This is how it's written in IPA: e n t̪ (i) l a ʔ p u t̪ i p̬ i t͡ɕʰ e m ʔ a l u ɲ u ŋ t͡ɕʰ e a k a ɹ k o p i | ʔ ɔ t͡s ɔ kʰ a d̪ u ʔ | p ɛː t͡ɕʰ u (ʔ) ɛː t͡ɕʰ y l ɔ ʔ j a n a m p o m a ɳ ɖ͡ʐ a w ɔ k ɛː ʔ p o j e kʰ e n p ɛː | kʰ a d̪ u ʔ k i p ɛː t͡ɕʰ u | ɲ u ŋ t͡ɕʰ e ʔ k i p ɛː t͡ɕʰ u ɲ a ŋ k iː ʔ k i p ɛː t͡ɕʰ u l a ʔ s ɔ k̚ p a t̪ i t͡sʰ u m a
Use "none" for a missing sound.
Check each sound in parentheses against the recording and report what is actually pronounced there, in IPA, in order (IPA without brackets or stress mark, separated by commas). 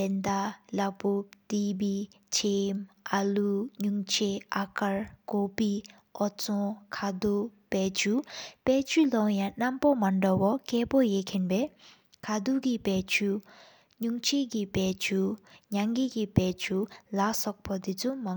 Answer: a, p